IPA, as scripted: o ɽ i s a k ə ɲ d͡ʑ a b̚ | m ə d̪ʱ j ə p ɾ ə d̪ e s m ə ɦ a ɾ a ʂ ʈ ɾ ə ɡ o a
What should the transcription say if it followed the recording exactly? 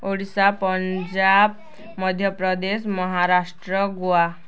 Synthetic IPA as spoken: o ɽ i s a p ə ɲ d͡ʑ a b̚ | m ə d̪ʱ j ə p ɾ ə d̪ e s m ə ɦ a ɾ a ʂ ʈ ɾ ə ɡ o a